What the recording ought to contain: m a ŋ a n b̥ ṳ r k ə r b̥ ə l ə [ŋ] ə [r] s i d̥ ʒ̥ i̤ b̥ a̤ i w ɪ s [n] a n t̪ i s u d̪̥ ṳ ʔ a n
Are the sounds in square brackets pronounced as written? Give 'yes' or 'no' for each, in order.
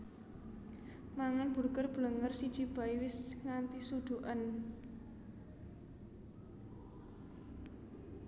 yes, yes, no

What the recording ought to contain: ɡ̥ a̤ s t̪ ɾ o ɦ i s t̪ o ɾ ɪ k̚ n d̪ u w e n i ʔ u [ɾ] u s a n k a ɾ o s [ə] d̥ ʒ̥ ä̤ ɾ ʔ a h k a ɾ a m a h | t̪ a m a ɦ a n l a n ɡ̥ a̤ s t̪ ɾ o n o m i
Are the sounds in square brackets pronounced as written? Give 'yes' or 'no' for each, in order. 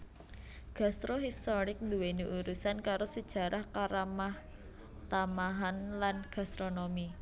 yes, yes

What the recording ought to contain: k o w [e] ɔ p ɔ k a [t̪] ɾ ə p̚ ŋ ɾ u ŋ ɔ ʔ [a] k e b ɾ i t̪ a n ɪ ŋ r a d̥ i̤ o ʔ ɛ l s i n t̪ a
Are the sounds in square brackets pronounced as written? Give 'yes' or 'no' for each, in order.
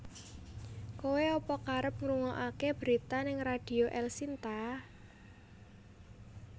yes, no, yes

